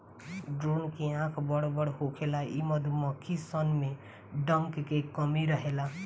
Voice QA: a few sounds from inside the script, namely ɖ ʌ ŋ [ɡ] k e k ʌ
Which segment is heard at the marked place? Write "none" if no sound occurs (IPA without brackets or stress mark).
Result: k